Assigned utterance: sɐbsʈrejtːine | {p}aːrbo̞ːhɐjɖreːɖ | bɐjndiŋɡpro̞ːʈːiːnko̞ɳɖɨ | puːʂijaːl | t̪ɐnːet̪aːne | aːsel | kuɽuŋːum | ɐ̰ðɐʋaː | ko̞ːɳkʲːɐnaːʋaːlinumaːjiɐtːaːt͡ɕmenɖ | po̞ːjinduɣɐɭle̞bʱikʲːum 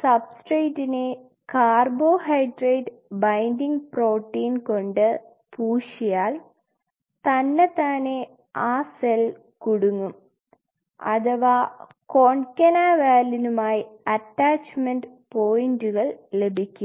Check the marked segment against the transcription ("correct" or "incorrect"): incorrect